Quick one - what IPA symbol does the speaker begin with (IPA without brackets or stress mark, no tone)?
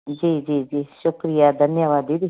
d͡ʒ